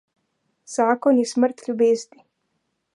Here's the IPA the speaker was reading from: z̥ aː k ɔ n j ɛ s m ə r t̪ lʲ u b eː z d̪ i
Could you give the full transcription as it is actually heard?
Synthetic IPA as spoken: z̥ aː k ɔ n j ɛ s m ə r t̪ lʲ u b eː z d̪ i

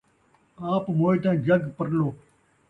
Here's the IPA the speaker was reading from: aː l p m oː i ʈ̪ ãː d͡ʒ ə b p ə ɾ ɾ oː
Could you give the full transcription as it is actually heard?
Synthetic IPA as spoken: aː p m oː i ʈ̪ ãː d͡ʒ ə ɡ p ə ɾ l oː

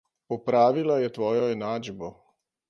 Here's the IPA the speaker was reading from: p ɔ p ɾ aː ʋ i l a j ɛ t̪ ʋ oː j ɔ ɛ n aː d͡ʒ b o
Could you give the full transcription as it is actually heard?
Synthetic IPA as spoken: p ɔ p ɾ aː ʋ i l a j ɛ t̪ ʋ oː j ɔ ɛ n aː d͡ʒ b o

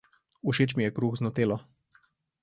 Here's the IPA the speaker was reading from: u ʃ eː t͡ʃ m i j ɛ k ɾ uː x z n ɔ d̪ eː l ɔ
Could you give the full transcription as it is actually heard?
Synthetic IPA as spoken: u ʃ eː t͡ʃ m i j ɛ k ɾ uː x z n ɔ t̪ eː l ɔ

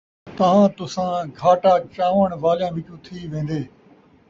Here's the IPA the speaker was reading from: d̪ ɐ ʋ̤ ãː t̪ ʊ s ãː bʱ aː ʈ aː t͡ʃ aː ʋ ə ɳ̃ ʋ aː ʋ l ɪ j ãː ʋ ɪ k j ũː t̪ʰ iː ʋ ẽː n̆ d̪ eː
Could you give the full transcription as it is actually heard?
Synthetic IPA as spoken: t̪ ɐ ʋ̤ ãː t̪ ʊ s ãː ɡʱ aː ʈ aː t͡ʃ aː ʋ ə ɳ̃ ʋ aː l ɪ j ãː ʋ ɪ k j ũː t̪ʰ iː ʋ ẽː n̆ d̪ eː

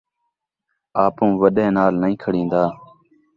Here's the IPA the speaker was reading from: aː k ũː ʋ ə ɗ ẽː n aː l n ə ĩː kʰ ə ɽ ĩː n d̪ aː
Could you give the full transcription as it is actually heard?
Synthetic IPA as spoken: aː p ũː ʋ ə ɗ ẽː n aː l n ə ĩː kʰ ə ɽ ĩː n d̪ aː

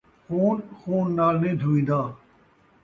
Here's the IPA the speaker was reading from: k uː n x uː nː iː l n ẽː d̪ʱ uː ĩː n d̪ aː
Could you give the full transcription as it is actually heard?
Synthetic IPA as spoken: x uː n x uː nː aː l n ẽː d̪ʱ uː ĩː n d̪ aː

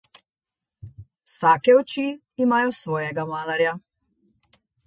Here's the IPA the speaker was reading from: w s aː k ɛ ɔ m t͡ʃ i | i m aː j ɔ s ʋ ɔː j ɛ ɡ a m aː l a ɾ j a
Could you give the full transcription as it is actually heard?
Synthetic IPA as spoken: w s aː k ɛ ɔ t͡ʃ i | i m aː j ɔ s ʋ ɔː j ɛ ɡ a m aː l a ɾ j a

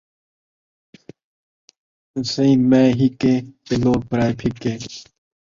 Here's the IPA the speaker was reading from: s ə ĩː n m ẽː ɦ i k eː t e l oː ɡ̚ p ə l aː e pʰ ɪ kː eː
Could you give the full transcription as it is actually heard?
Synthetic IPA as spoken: s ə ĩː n m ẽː ɦ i k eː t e l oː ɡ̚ p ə ɾ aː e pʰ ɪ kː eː

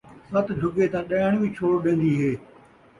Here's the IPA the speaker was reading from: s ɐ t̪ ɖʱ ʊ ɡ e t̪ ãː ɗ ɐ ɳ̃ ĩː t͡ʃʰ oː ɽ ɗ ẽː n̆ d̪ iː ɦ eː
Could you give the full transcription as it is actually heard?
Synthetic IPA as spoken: s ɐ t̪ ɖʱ ʊ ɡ e t̪ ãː ɗ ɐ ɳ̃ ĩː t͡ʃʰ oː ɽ ɗ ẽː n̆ d̪ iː ɦ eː

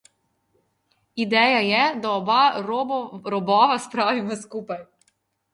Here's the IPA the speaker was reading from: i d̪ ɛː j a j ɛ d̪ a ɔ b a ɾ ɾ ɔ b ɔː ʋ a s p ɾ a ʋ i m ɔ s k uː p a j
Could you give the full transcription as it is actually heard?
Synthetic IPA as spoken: i d̪ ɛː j a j ɛ d̪ a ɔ b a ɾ ɾ ɔ b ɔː ʋ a s p ɾ a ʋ i m ɔ s k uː p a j

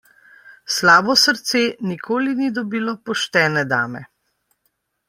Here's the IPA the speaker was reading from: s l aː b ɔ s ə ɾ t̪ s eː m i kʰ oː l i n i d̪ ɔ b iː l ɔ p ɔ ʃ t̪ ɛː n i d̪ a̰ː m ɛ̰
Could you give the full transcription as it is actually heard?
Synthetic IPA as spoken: s l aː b ɔ s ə ɾ t̪ s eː n i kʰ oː l i n i d̪ ɔ b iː l ɔ p ɔ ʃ t̪ ɛː n ɛ d̪ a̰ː m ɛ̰

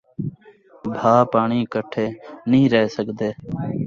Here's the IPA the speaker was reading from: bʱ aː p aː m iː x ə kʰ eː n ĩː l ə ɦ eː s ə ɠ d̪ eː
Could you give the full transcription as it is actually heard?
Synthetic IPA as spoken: bʱ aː p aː ɳ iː k ə ʈʰ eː n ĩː ɾ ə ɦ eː s ə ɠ d̪ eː

